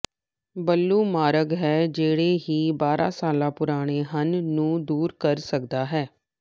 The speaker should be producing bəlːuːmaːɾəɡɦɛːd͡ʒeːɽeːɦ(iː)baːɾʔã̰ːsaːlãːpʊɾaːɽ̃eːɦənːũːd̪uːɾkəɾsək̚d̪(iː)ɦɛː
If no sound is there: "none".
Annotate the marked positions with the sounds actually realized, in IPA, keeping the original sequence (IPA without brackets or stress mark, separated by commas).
iː, aː